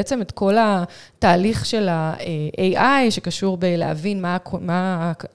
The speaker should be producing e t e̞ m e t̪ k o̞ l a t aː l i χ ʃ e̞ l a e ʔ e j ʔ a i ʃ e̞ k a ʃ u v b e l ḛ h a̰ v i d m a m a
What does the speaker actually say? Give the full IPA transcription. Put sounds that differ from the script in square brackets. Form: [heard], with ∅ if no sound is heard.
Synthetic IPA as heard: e [t͡s] e̞ m e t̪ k o̞ l a t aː l i χ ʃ e̞ l a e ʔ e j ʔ a [j] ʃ e̞ k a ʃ u [ʁ] b e l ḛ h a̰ v i [n] m a m a